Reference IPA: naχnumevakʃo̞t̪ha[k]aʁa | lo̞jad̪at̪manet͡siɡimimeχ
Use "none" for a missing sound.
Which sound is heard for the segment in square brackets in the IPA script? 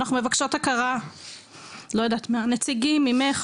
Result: k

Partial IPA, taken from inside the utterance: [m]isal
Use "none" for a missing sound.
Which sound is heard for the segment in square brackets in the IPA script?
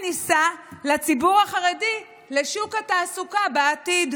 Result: n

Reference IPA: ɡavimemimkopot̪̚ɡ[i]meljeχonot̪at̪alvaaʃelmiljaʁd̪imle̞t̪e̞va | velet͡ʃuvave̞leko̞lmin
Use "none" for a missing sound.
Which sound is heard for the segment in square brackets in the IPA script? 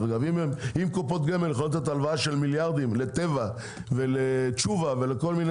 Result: e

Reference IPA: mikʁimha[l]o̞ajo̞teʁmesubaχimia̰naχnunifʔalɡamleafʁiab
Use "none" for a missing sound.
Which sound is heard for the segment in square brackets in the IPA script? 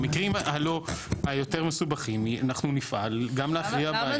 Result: l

